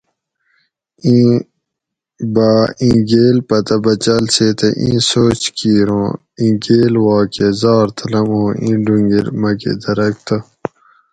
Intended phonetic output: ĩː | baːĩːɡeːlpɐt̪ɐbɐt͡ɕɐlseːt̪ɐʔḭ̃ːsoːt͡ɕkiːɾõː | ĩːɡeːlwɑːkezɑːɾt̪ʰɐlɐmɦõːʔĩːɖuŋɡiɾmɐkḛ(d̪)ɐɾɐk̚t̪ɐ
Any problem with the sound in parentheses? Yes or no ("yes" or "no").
no